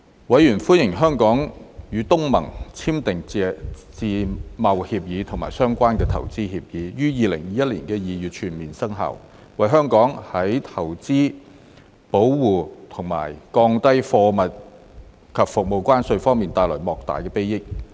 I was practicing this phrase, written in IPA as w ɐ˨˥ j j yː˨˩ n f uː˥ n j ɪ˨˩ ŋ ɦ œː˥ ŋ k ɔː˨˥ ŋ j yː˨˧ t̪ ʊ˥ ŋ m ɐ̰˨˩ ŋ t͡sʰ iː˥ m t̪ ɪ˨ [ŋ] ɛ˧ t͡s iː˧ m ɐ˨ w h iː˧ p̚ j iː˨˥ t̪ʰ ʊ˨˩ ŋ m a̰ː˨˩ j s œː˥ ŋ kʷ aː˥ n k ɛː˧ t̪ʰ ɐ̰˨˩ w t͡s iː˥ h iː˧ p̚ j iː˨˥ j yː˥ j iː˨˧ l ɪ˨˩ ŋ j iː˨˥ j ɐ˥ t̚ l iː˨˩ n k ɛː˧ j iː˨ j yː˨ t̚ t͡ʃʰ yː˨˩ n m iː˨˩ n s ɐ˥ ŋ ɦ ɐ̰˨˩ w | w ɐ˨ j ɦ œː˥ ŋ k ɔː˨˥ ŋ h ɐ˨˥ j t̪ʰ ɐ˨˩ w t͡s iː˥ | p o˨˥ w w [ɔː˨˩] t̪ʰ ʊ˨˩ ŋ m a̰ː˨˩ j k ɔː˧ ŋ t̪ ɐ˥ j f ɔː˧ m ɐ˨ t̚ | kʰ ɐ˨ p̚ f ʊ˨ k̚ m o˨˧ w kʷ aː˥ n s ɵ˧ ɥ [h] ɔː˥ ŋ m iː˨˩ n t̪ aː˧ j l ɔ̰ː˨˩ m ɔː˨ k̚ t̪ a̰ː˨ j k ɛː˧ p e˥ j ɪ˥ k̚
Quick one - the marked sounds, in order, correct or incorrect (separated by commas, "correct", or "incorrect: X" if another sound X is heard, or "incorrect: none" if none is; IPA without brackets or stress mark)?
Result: correct, incorrect: uː˨˩, incorrect: f